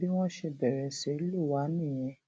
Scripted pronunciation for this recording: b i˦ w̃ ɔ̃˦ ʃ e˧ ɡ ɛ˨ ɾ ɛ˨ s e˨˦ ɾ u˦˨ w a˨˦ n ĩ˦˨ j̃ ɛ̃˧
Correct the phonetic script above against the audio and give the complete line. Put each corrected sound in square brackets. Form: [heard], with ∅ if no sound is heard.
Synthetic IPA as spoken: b i˦ w̃ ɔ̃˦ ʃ e˧ [b] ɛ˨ ɾ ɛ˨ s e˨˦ [l] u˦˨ w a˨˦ n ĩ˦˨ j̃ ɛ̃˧